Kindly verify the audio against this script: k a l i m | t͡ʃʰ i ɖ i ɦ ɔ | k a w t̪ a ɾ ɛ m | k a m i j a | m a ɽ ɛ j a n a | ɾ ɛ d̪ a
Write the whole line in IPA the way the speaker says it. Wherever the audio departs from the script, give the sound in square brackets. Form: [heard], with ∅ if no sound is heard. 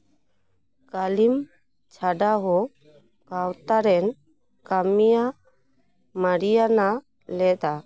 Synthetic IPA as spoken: k a l i m | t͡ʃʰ [a] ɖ [a] ɦ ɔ | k a w t̪ a ɾ ɛ [n] | k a m i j a | m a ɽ [i] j a n a | [l] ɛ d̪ a